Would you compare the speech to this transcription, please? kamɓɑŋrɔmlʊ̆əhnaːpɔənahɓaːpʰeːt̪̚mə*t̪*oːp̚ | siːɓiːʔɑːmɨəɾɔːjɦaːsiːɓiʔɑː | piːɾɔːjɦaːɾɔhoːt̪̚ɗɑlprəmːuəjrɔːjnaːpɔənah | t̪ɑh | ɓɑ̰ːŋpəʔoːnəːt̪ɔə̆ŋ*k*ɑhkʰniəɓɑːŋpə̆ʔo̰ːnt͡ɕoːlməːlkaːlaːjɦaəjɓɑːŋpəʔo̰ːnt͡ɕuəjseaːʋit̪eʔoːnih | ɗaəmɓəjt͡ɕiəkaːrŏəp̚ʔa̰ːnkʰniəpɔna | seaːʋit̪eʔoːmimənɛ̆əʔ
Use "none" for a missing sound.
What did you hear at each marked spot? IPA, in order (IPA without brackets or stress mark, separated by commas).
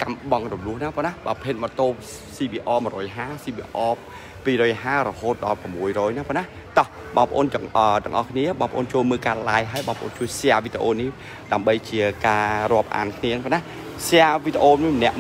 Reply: t̪, ʔ